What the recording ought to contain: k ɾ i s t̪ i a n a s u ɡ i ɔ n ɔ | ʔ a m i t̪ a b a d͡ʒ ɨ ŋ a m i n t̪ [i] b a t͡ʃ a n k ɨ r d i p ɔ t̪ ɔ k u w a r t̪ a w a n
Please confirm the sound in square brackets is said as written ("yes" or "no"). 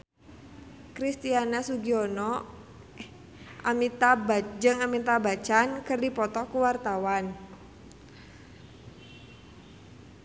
no